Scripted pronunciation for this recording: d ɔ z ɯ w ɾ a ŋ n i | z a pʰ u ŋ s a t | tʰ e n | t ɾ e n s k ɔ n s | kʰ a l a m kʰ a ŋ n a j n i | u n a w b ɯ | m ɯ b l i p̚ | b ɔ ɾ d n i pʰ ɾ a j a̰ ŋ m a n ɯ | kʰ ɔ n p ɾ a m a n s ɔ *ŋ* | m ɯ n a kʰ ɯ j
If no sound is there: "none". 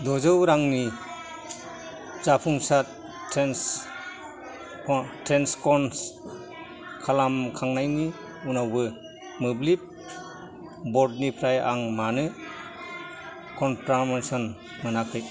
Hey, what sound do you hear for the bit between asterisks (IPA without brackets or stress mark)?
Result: n